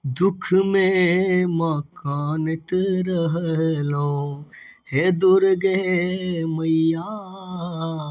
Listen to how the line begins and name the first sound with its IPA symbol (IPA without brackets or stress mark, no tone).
d̪